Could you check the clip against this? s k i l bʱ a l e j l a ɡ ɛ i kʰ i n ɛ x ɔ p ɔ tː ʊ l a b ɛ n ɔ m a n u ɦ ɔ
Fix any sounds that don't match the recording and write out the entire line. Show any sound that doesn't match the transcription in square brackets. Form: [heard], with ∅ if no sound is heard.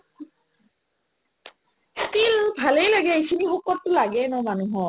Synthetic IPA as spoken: s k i l bʱ a l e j l a ɡ ɛ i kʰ i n [i] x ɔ [k] ɔ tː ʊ l a [ɡ] ɛ n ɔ m a n u ɦ ɔ